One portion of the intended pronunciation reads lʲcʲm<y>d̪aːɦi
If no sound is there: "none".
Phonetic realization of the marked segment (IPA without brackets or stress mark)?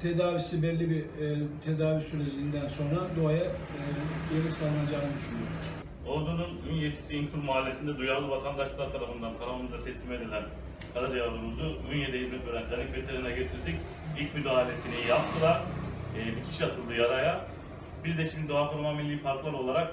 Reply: y